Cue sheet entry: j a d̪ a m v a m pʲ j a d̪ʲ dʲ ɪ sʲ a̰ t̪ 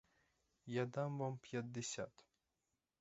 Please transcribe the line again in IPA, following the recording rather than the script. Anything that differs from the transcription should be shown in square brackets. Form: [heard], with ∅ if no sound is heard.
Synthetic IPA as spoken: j a d̪ a m v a m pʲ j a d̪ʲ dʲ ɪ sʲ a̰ t̪